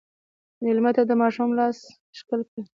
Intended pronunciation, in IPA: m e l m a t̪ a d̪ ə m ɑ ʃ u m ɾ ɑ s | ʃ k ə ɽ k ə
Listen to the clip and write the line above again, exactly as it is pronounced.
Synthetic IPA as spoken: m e l m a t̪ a d̪ ə m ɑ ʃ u m l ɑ s | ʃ k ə l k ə

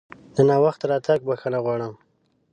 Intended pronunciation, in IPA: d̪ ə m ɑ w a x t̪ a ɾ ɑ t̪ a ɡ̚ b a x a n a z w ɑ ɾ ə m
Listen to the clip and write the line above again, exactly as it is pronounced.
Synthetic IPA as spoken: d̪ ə n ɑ w a x t̪ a ɾ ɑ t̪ a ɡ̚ b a x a n a ɣ w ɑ ɽ ə m

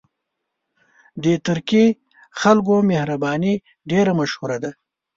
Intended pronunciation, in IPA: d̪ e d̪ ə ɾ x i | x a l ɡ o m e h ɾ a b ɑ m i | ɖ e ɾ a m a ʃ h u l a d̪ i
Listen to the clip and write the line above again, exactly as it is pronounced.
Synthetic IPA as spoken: d̪ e t̪ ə ɾ k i | x a l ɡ o m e h ɾ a b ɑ n i | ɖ e ɾ a m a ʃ h u ɾ a d̪ a

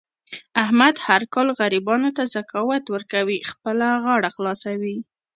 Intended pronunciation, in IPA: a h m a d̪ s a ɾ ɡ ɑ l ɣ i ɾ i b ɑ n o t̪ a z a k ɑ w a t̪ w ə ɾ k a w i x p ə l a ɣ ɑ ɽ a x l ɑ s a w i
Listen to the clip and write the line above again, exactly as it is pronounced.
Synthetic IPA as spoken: a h m a d̪ h a ɾ k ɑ l ɣ a ɾ i b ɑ n o t̪ a z a k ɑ w a t̪ w ə ɾ k a w i x p ə l a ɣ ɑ ɽ a x l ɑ s a w i

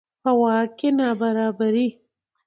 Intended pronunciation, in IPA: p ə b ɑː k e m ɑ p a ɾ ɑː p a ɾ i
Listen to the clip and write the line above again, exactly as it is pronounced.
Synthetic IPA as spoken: p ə w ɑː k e n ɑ b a ɾ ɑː b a ɾ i

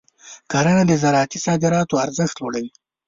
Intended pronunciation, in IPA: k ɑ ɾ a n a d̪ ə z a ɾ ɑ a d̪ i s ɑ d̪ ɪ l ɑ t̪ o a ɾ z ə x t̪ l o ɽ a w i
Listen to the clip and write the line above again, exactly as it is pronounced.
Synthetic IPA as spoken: k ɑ ɾ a n a d̪ ə z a ɾ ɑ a t̪ i s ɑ d̪ ɪ ɾ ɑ t̪ o a ɾ z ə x t̪ l o ɽ a w i

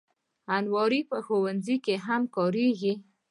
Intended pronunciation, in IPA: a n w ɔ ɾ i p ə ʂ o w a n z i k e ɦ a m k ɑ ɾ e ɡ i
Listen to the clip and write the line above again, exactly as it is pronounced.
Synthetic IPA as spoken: a n w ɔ ɾ i p ə x o w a n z i k e ɦ a m k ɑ ɾ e ɡ i

